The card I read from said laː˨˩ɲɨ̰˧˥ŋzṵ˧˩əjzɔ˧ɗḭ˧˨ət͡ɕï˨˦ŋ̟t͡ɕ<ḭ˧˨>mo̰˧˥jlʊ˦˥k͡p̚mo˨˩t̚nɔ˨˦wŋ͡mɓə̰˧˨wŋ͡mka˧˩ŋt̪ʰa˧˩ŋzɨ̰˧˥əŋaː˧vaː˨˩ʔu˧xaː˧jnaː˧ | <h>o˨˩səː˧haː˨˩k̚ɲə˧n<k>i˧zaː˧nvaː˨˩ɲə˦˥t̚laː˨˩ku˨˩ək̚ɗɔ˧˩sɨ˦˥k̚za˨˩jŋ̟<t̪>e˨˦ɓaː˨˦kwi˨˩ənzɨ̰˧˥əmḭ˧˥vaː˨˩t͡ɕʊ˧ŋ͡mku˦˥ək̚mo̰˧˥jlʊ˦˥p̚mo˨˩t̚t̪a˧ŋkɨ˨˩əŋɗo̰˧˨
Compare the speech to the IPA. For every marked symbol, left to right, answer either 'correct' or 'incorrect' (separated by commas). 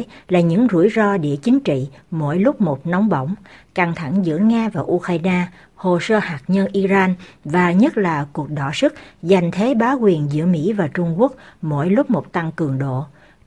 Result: correct, correct, incorrect, incorrect